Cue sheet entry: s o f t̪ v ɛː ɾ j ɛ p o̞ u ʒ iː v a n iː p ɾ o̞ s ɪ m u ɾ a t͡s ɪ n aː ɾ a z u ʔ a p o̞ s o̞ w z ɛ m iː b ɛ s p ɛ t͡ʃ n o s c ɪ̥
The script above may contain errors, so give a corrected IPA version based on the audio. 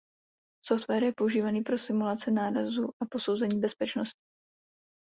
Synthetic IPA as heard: s o f t̪ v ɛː ɾ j ɛ p o̞ u ʒ iː v a n iː p ɾ o̞ s ɪ m u l a t͡s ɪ n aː ɾ a z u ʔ a p o̞ s o̞ w z ɛ ɲ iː b ɛ s p ɛ t͡ʃ n o s c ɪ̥

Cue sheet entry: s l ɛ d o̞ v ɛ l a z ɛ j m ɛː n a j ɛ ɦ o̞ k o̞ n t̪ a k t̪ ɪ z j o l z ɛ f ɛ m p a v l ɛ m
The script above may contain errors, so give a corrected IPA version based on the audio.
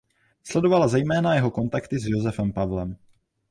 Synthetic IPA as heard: s l ɛ d o̞ v a l a z ɛ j m ɛː n a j ɛ ɦ o̞ k o̞ n t̪ a k t̪ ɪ z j o z ɛ f ɛ m p a v l ɛ m

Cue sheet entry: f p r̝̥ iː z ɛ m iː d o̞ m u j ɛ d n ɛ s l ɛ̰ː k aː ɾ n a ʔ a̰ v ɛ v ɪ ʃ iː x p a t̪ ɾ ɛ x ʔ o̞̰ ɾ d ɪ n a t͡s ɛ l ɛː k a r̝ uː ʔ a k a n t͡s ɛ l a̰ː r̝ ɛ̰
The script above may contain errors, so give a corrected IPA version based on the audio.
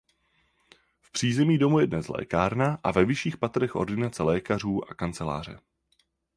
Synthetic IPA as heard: f p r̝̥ iː z ɛ m iː d o̞ m u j ɛ d n ɛ s l ɛ̰ː k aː ɾ n a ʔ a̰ v ɛ v ɪ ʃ iː x p a t̪ ɾ ɛ x ʔ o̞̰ ɾ d ɪ n a t͡s ɛ l ɛː k a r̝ uː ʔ a k a n t͡s ɛ l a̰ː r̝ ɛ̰

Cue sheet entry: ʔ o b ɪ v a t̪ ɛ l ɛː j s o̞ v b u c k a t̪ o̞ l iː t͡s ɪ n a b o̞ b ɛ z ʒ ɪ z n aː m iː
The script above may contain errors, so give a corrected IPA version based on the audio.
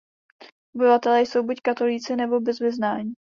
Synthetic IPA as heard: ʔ o b ɪ v a t̪ ɛ l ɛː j s o̞ w b u c k a t̪ o̞ l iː t͡s ɪ n ɛ b o̞ b ɛ z v ɪ z n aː ɲ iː

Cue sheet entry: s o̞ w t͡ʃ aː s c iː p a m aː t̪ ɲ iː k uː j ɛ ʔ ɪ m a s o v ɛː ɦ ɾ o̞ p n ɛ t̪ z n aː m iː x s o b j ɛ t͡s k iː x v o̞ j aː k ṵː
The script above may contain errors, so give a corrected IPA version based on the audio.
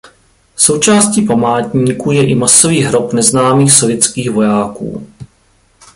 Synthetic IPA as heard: s o̞ w t͡ʃ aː s c iː p a m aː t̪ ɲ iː k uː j ɛ ʔ ɪ m a s o v iː ɦ ɾ o̞ p n ɛ z n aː m iː x s o v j ɛ t͡s k iː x v o̞ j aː k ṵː

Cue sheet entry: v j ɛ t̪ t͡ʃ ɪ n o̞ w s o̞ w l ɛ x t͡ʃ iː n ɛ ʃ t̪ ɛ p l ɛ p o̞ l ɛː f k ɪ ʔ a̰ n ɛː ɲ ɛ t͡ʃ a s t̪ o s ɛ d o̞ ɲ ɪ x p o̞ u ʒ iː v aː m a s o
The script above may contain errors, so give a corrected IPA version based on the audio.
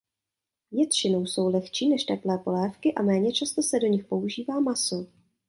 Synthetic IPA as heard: v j ɛ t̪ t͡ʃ ɪ n o̞ w s o̞ w l ɛ x t͡ʃ iː n ɛ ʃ t̪ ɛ p l ɛː p o̞ l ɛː f k ɪ ʔ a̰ m ɛː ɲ ɛ t͡ʃ a s t̪ o s ɛ d o̞ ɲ ɪ x p o̞ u ʒ iː v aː m a s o

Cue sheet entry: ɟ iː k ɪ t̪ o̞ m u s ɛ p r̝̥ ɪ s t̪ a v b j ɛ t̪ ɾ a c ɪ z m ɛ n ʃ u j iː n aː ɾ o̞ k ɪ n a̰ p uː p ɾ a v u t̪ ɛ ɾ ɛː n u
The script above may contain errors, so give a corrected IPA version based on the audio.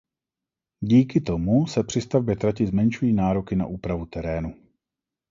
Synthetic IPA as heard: ɟ iː k ɪ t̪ o̞ m u s ɛ p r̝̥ ɪ s t̪ a v b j ɛ t̪ ɾ a c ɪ z m ɛ n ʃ u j iː n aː ɾ o̞ k ɪ n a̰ ʔ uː p ɾ a v u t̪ ɛ ɾ ɛː n u

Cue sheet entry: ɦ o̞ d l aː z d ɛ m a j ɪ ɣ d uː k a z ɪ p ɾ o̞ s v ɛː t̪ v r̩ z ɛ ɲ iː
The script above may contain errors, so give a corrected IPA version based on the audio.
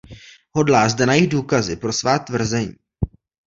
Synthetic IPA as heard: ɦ o̞ d l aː z d ɛ n a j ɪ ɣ d uː k a z ɪ p ɾ o̞ s v aː t̪ v r̩ z ɛ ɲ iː

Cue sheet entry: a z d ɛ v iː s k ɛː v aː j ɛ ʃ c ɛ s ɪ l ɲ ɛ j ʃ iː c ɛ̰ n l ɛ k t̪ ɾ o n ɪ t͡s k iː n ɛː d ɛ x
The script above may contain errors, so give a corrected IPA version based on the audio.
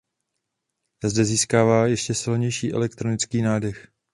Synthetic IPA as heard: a z d ɛ z iː s k aː v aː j ɛ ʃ c ɛ s ɪ l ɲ ɛ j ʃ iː ʔ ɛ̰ l ɛ k t̪ ɾ o n ɪ t͡s k iː n aː d ɛ x

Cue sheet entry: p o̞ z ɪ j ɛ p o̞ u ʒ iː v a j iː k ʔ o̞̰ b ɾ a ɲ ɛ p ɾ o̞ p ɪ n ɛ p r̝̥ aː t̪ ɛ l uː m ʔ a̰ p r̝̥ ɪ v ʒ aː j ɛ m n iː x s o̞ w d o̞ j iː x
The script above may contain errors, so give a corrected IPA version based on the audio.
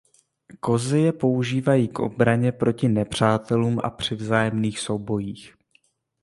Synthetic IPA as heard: k o̞ z ɪ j ɛ p o̞ u ʒ iː v a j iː k ʔ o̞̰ b ɾ a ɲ ɛ p ɾ o̞ c ɪ n ɛ p r̝̥ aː t̪ ɛ l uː m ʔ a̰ p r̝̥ ɪ v z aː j ɛ m n iː x s o̞ w b o̞ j iː x

